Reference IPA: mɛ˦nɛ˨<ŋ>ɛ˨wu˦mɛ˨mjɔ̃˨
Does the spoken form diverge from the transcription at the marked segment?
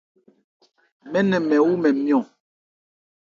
yes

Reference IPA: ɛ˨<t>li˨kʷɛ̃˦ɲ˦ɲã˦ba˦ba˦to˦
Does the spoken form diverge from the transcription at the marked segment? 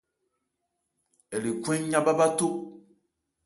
yes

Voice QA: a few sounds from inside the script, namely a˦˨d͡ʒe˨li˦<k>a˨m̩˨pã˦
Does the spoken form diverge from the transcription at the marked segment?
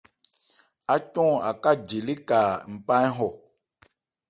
no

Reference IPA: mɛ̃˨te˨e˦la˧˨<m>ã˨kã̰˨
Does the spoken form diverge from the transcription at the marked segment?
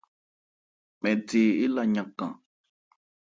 yes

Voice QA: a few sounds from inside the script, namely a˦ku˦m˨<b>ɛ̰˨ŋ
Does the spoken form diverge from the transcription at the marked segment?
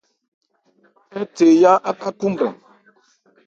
no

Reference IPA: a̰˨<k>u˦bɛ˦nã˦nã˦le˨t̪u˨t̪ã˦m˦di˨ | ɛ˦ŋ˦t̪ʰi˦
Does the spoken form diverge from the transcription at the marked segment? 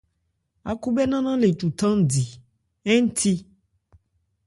no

